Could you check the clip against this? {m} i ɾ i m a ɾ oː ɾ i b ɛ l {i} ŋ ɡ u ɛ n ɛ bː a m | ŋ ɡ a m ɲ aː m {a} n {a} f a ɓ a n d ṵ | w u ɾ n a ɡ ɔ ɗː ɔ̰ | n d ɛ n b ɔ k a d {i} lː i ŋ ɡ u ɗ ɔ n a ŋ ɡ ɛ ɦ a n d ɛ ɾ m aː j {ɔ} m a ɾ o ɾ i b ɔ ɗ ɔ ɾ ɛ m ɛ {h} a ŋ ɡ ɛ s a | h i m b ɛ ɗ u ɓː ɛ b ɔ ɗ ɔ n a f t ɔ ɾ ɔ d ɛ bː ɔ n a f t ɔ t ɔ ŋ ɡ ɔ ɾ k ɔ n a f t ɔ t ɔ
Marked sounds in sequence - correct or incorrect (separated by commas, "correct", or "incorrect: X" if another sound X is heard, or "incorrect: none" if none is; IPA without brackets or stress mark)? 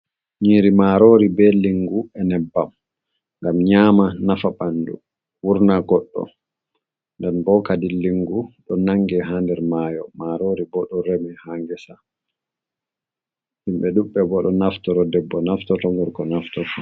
incorrect: ɲ, correct, correct, correct, correct, correct, correct